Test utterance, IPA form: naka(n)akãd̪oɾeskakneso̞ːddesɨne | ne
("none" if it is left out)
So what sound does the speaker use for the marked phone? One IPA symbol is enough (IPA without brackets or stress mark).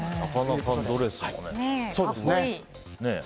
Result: n